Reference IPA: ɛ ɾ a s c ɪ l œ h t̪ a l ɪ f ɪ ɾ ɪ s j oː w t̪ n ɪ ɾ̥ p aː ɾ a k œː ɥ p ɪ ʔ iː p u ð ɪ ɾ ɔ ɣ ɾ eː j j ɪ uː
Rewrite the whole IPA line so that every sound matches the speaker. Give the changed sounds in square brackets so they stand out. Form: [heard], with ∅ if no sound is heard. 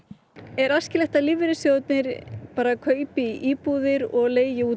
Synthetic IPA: ɛ ɾ a s c ɪ l [ɛ] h t̪ a l ɪ [v] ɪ ɾ ɪ s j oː w t̪ n ɪ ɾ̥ p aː ɾ a [kʰ] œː ɥ p ɪ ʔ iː p u ð ɪ ɾ ɔ ɣ [l] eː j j ɪ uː